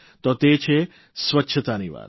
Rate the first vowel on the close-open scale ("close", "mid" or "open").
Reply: mid